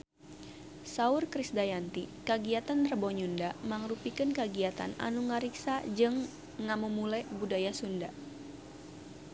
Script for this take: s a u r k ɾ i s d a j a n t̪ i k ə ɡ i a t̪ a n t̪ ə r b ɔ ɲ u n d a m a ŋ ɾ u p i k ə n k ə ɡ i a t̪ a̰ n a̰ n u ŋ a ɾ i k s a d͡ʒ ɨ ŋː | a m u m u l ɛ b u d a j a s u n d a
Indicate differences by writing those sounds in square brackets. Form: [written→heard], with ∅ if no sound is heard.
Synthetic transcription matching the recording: s a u r k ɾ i s d a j a n t̪ i k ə ɡ i a t̪ a n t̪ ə r b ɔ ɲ u n d a m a ŋ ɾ u p i k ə n k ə ɡ i a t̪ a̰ n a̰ n u ŋ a ɾ i k s a d͡ʒ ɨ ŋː | a m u m u l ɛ b u d a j a s u n d a